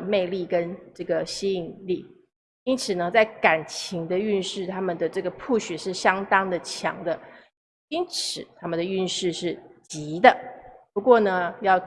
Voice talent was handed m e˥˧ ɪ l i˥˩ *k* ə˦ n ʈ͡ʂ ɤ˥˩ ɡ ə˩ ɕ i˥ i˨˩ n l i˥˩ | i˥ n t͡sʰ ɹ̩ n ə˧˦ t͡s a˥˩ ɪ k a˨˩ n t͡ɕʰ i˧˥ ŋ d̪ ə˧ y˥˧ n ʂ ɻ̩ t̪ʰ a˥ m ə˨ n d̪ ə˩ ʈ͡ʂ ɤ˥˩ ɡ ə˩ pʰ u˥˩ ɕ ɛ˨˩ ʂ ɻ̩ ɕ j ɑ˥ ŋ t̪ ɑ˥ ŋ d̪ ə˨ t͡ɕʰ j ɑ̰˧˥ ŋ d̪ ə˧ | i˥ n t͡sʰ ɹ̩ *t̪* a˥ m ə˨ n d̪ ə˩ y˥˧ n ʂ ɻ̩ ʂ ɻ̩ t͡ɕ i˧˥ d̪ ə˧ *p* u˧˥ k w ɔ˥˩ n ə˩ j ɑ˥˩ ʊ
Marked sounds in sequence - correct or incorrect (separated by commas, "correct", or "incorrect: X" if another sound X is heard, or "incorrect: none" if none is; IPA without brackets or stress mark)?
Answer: correct, incorrect: t̪ʰ, correct